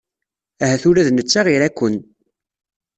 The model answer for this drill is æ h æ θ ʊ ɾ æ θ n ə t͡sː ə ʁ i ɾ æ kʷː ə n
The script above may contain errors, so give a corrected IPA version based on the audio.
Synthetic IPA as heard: æ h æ θ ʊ ɾ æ ð n ə t͡sː a ʁ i ɾ æ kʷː ə n